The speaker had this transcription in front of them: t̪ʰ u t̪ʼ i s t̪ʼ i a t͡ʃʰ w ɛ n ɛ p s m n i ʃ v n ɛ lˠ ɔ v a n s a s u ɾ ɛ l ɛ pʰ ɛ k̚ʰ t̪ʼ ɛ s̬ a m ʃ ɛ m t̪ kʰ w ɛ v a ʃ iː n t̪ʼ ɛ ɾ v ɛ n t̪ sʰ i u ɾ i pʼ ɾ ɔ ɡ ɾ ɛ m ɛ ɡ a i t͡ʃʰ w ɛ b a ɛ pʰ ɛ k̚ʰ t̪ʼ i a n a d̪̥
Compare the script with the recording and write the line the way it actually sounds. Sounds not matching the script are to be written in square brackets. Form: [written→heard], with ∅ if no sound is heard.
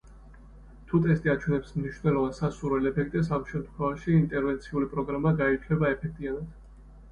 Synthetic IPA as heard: t̪ʰ u t̪ʼ [i→ɛ] s t̪ʼ i a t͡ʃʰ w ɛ n ɛ p s m n i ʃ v n ɛ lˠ ɔ v a n s a s u ɾ ɛ l ɛ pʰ ɛ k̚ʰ t̪ʼ ɛ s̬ a m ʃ ɛ m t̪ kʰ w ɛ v a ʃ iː n t̪ʼ ɛ ɾ v ɛ n t̪ sʰ i u [ɾ→l] i pʼ ɾ ɔ ɡ ɾ [ɛ→a] m [ɛ→a] ɡ a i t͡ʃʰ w ɛ b a ɛ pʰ ɛ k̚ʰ t̪ʼ i a n a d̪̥